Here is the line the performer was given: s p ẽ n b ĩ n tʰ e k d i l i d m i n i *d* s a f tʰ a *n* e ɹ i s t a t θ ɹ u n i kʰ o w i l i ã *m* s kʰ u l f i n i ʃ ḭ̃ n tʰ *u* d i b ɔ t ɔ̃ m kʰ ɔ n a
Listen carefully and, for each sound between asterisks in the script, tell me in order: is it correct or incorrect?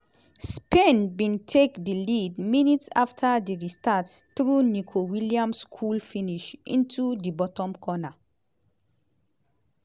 incorrect: t, incorrect: d, correct, correct

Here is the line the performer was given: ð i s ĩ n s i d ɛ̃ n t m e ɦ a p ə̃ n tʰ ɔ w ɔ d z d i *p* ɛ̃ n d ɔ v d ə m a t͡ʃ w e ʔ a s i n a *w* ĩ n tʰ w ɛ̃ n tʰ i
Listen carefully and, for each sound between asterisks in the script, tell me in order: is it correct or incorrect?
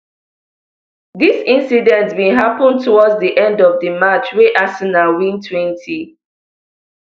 incorrect: ʔ, correct

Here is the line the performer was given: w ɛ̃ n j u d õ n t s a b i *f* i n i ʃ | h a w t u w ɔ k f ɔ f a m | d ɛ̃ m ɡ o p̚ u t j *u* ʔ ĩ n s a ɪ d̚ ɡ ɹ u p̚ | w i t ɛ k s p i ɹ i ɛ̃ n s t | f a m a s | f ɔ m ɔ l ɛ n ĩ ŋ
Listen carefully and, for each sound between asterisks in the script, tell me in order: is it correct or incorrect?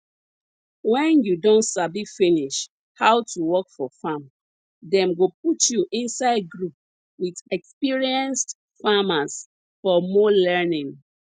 correct, correct

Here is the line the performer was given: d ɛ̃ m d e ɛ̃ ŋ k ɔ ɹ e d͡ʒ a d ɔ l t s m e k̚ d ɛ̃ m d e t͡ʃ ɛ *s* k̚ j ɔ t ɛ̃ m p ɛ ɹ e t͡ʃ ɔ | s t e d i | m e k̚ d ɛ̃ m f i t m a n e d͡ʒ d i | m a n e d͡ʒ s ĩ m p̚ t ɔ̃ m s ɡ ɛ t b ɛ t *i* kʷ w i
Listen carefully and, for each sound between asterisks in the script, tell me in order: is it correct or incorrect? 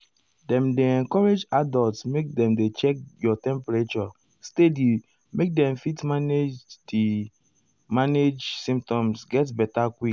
incorrect: none, incorrect: a

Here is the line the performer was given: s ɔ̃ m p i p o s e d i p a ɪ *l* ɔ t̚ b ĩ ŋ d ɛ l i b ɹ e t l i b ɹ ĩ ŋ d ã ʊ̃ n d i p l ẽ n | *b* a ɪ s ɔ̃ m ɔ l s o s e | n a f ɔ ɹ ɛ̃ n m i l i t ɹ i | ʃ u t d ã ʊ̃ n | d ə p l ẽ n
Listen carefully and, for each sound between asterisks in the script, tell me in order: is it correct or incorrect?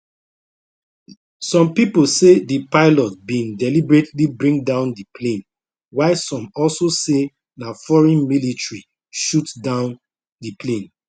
correct, incorrect: w

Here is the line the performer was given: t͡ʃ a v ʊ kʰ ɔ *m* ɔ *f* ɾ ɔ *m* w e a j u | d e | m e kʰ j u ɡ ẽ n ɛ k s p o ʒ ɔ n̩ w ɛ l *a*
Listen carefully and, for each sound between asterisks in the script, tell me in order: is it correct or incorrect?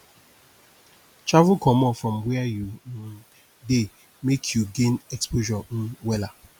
correct, correct, correct, correct

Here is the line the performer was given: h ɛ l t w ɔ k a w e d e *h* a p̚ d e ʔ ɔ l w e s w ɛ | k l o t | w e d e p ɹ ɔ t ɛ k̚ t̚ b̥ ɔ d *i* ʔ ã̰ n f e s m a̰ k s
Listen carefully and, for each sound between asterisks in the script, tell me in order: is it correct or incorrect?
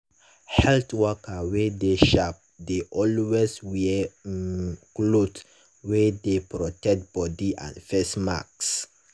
incorrect: ʃ, correct

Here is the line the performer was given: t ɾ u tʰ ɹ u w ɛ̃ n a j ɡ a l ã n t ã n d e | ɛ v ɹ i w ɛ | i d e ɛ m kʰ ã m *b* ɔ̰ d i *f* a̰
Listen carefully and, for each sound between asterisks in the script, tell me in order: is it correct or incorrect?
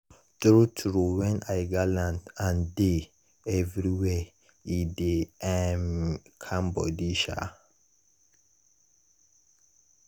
correct, incorrect: ʃ

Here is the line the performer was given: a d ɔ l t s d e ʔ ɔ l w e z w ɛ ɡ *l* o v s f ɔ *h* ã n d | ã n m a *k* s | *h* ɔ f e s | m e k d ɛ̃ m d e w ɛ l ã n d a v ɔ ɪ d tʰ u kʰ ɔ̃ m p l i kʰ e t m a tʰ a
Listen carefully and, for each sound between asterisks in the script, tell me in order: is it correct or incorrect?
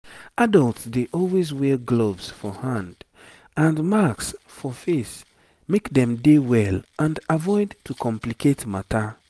correct, correct, correct, incorrect: f

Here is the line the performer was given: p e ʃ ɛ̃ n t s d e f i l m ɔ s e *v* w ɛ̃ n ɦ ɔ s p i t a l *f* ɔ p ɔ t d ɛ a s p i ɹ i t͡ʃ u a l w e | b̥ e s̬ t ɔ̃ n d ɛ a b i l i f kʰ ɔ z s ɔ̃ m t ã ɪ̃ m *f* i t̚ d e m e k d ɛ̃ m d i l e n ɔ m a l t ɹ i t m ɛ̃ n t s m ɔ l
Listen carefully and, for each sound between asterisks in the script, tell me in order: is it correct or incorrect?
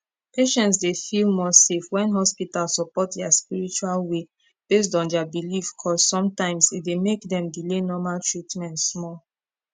incorrect: f, incorrect: s, incorrect: s

